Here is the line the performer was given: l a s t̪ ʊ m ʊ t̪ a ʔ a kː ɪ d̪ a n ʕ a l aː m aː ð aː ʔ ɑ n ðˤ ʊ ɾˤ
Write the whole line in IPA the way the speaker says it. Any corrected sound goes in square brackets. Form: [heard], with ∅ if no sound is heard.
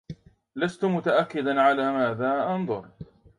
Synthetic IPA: l a s t̪ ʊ m ʊ t̪ a ʔ a kː ɪ d̪ a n ʕ a l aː m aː ð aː ʔ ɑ n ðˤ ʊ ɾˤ